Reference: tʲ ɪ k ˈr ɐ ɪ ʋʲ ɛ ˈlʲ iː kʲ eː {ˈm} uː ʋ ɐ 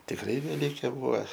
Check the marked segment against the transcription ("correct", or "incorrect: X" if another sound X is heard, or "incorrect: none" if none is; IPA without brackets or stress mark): incorrect: b